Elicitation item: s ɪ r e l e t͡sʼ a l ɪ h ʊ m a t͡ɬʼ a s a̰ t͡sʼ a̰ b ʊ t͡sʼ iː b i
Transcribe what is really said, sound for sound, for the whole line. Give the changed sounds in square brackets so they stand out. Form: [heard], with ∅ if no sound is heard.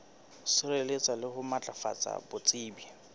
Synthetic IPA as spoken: s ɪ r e l e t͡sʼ a l ɪ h ʊ m a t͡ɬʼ a [f] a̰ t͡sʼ a̰ b ʊ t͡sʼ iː b i